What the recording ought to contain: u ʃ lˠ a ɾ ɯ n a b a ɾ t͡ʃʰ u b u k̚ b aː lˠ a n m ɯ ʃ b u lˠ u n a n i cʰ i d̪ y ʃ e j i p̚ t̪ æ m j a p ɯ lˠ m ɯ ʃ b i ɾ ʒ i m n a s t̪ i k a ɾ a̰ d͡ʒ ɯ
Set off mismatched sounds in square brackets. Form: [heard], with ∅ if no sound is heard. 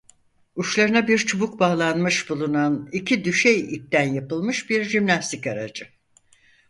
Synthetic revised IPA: u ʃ lˠ a ɾ ɯ n a b [i] ɾ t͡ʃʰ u b u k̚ b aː lˠ a n m ɯ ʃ b u lˠ u n a n i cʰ i d̪ y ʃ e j i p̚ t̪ æ [n] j a p ɯ lˠ m ɯ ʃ b i ɾ ʒ i m n a s t̪ i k a ɾ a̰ d͡ʒ ɯ